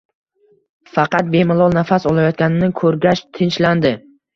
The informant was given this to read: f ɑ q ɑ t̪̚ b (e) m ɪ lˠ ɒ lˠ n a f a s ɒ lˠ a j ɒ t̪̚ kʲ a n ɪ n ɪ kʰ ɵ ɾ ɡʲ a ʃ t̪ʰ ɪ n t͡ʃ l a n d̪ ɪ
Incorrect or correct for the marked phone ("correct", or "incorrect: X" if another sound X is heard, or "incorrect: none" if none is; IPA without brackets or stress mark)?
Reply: correct